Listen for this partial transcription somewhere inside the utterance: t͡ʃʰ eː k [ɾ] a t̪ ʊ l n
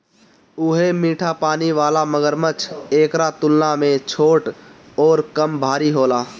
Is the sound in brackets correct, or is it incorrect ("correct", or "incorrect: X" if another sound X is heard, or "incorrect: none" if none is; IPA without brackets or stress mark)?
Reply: correct